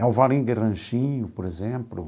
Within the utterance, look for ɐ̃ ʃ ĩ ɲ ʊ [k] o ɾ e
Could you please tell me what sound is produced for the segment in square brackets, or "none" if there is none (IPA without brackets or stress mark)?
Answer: p